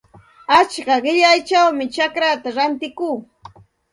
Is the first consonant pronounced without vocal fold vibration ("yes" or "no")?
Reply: yes